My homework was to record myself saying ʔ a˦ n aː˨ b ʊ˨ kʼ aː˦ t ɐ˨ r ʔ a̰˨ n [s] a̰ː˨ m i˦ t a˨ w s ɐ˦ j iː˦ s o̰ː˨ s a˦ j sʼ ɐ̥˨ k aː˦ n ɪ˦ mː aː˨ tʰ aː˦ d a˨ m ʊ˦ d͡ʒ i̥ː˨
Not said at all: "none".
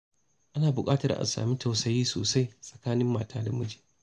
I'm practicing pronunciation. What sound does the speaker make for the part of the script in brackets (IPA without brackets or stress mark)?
s